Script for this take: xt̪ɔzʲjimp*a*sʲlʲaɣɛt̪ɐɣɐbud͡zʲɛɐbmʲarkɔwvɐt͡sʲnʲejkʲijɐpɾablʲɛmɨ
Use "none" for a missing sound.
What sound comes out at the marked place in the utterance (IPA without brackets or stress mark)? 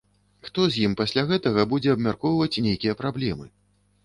a